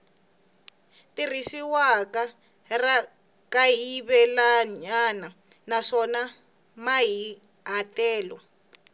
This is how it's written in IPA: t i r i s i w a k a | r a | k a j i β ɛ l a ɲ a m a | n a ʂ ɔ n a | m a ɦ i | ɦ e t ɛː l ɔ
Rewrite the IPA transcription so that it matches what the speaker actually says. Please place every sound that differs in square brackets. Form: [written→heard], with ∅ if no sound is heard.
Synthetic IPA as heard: t i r i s i w a k a | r a | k a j i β ɛ l a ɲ a [m→n] a | n a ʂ ɔ n a | m a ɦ i | ɦ [e→a] t ɛː l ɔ